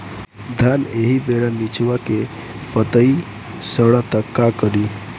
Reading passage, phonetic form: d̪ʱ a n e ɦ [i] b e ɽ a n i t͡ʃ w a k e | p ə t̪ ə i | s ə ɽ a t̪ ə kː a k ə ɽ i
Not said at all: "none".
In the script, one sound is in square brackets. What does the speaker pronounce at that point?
i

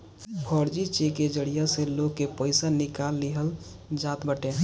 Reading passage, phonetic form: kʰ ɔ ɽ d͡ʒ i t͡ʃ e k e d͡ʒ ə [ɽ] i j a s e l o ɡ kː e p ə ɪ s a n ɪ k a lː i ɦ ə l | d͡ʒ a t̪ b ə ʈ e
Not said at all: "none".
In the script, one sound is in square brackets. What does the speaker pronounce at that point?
ɽ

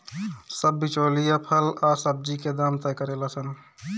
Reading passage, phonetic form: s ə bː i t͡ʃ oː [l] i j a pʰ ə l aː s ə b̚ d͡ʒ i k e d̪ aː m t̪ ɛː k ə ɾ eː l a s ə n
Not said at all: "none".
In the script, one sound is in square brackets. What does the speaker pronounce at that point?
l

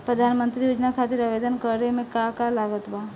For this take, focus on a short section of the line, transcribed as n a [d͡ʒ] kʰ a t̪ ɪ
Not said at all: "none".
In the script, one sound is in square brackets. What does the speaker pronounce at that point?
none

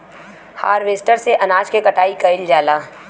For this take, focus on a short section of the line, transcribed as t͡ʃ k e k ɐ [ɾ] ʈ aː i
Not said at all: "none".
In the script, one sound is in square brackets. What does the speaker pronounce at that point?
none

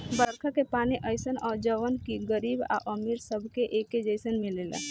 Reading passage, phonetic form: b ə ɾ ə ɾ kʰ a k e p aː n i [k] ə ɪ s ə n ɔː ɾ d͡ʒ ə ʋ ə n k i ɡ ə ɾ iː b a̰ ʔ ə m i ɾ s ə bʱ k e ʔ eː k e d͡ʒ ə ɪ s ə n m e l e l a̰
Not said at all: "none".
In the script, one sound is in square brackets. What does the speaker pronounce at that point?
ʔ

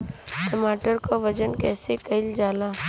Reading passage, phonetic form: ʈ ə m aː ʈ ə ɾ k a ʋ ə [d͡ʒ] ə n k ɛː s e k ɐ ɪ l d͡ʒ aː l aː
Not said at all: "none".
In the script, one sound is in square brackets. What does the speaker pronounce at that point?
d͡ʒ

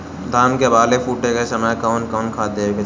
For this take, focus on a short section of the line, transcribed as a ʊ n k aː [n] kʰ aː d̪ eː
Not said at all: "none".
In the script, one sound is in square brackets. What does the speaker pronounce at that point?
n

